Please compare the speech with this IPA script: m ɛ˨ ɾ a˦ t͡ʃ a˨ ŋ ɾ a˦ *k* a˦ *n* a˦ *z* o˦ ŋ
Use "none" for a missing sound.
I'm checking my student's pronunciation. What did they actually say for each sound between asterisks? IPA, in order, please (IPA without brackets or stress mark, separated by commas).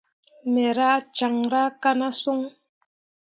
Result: k, n, s